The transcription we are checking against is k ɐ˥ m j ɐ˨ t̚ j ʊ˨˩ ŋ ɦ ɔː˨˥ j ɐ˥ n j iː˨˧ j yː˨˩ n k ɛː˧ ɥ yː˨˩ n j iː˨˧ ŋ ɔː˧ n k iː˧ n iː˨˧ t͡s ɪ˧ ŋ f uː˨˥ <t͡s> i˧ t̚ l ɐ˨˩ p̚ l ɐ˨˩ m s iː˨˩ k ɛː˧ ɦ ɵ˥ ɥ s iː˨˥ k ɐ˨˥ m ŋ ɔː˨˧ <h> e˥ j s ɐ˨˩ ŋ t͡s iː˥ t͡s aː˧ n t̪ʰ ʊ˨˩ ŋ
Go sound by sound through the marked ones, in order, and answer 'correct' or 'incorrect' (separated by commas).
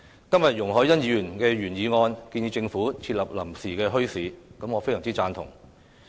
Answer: incorrect, incorrect